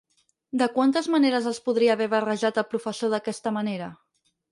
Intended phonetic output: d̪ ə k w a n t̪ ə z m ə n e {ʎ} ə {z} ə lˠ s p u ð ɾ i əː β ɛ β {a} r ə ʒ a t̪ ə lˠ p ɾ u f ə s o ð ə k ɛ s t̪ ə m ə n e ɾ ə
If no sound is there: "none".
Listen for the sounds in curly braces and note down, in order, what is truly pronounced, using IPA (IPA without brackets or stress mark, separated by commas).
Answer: ɾ, z, ə